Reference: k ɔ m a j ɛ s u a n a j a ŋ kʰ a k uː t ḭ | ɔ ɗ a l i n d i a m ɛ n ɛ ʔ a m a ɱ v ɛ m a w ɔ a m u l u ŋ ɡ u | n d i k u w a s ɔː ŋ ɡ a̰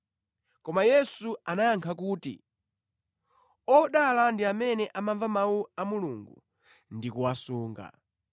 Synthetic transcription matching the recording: k ɔ m a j ɛ s u a n a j a ŋ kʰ a k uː t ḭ | ɔ ɗ a l a n d i a m ɛ n ɛ ʔ a m a ɱ v a m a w u a m u l u ŋ ɡ u | n d i k u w a s uː ŋ ɡ a̰